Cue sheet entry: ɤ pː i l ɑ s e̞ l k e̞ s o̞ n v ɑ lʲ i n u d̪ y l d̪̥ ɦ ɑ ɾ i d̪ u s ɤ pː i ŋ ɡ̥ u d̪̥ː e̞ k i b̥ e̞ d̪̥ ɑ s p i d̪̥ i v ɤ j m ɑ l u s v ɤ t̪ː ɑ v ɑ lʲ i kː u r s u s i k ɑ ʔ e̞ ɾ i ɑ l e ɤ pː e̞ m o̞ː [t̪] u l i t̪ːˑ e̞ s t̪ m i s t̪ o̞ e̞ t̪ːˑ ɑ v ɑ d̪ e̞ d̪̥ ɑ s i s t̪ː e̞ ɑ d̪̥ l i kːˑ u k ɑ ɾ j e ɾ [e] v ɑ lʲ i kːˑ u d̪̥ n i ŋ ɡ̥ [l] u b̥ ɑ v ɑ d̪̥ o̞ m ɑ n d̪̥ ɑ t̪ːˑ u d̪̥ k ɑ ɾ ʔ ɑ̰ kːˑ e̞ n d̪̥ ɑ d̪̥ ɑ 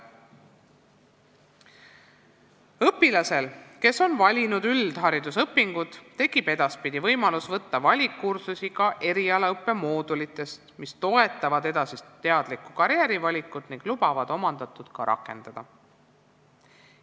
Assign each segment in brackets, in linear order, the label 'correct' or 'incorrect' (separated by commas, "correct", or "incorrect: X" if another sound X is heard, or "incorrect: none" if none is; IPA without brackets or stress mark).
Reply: incorrect: d̪, incorrect: i, correct